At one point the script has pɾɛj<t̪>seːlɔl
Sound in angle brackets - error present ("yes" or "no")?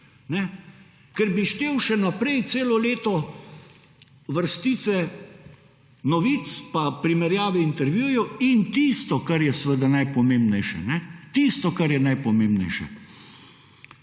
no